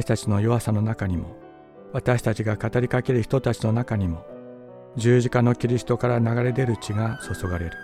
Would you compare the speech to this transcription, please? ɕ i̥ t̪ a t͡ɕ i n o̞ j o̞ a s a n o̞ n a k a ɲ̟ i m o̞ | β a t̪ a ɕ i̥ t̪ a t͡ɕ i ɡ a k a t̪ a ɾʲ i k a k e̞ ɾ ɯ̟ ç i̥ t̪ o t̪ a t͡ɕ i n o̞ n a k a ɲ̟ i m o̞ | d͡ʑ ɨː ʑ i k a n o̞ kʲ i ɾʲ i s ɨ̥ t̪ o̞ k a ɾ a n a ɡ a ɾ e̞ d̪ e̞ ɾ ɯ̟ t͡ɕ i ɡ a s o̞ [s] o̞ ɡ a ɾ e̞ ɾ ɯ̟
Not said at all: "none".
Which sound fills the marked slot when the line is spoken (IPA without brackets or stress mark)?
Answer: s